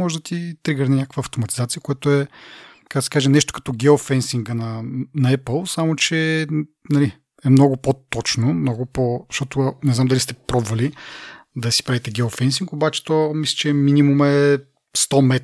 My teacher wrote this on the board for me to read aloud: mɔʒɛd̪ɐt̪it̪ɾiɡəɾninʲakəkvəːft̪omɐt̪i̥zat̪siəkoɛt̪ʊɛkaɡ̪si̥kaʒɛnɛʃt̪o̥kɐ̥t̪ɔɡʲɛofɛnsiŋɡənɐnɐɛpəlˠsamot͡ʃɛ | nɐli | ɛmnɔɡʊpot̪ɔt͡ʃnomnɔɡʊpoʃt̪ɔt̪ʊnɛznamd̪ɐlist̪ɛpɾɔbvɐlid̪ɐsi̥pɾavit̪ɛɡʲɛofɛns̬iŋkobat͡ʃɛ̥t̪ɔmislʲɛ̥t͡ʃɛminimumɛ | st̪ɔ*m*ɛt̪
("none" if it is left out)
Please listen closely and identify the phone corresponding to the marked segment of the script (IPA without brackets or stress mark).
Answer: m